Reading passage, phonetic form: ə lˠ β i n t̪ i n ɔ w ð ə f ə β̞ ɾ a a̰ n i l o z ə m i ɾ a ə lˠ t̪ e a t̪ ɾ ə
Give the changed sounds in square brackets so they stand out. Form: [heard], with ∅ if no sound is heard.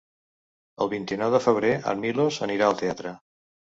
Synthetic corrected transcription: ə lˠ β i n t̪ i n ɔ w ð ə f ə β̞ ɾ [e] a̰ [m] i l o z ə [n] i ɾ a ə lˠ t̪ e a t̪ ɾ ə